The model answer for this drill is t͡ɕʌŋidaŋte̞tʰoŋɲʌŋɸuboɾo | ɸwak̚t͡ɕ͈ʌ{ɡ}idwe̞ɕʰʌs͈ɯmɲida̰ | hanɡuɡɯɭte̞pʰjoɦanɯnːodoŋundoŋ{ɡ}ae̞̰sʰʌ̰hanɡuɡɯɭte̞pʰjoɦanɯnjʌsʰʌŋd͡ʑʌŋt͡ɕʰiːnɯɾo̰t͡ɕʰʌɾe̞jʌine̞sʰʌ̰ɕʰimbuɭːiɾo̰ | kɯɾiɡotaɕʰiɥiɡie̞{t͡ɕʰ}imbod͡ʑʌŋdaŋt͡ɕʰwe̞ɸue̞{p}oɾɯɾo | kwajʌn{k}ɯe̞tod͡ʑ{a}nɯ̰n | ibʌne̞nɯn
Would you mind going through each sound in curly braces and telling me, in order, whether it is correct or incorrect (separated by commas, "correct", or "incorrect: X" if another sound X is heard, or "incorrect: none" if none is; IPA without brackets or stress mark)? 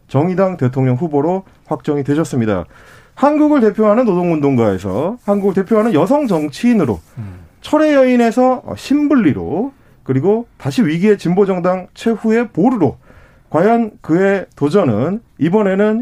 incorrect: ŋ, correct, incorrect: t͡ɕ, correct, correct, incorrect: ʌ